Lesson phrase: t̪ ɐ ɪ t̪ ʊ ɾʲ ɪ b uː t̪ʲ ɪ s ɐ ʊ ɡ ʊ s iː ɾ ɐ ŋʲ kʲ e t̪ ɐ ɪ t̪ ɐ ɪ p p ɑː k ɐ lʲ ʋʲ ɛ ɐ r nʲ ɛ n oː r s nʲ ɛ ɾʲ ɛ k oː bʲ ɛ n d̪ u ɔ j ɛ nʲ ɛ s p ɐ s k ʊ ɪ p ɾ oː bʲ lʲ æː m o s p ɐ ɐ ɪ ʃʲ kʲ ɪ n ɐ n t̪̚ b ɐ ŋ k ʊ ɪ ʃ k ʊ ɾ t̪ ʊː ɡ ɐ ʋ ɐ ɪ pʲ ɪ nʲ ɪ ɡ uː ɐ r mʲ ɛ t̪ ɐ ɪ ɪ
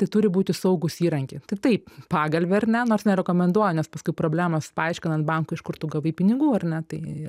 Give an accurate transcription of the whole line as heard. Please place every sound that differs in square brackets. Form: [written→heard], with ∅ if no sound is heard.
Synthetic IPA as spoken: t̪ ɐ ɪ t̪ ʊ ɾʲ ɪ b uː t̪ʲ ɪ s ɐ ʊ ɡ ʊ s iː ɾ ɐ ŋʲ kʲ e t̪ ɐ ɪ t̪ ɐ ɪ p p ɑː [k→ɡ] ɐ lʲ ʋʲ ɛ ɐ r nʲ ɛ n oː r s nʲ ɛ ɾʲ ɛ k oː [bʲ→mʲ] ɛ n d̪ u ɔ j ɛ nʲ ɛ s p ɐ s k ʊ ɪ p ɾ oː bʲ lʲ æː m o s p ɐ ɐ ɪ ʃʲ kʲ ɪ n ɐ n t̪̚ b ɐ ŋ k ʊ ɪ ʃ k ʊ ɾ t̪ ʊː ɡ ɐ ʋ ɐ ɪ pʲ ɪ nʲ ɪ ɡ uː ɐ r [mʲ→nʲ] ɛ t̪ ɐ ɪ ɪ